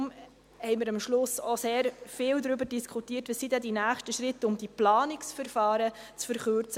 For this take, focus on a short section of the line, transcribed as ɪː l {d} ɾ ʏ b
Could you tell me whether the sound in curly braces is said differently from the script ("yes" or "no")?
no